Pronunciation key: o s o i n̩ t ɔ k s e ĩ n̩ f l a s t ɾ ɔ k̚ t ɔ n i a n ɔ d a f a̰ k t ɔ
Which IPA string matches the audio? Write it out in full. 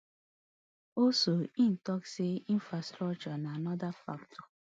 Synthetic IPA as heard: o s o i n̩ t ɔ k s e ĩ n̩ f ɾ a s t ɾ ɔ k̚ t͡ʃ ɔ n a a n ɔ d a f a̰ k t ɔ